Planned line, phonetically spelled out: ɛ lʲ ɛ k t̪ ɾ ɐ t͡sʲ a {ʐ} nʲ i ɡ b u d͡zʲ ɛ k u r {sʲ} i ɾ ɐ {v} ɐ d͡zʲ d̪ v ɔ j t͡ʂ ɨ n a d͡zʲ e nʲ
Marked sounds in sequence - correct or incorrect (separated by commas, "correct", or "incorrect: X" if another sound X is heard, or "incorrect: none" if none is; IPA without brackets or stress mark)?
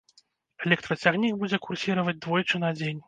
incorrect: ɣ, correct, correct